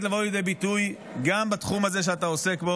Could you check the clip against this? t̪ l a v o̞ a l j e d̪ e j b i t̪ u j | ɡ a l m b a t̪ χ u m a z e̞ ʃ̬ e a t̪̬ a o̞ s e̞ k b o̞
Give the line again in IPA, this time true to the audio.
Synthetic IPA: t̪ l a v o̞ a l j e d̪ e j b i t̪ u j | ɡ a m b a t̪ χ u m a z e̞ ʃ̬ e a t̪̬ a o̞ s e̞ k b o̞